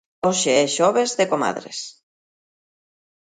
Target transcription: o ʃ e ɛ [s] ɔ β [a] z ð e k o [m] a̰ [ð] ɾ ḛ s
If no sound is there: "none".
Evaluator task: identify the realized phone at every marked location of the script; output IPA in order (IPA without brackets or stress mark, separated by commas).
ʃ, e, m, ð